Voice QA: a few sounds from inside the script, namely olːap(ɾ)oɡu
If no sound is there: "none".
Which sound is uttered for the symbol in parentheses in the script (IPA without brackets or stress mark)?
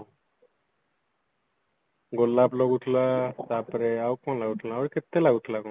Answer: l